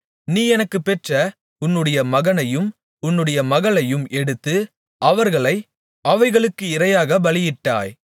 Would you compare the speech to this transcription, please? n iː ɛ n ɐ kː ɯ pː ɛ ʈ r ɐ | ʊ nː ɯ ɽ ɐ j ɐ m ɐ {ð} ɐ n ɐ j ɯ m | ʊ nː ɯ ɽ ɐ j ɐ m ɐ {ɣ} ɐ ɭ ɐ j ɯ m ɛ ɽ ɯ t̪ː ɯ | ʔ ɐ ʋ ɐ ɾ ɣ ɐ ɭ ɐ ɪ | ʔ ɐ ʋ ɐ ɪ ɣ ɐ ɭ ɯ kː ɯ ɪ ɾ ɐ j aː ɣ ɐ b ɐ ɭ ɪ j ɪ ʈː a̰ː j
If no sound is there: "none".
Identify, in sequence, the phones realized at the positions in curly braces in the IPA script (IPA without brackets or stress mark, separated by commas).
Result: ɣ, ɣ